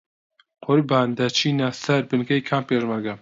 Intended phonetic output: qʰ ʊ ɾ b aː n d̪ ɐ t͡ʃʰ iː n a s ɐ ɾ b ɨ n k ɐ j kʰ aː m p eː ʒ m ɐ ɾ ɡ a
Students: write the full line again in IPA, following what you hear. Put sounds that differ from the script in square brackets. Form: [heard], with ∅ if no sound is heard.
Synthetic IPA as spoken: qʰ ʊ ɾ b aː n d̪ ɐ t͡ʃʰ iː n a s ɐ ɾ b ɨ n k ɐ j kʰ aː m p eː ʒ m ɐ ɾ ɡ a